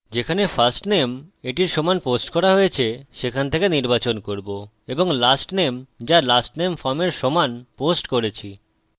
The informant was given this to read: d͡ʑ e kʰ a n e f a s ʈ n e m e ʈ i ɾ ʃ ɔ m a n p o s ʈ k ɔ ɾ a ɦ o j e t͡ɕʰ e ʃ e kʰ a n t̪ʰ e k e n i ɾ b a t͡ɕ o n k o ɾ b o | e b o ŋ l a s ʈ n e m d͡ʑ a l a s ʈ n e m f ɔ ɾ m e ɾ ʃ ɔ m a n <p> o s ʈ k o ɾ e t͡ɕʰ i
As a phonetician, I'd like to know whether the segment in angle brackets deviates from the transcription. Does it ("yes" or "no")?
no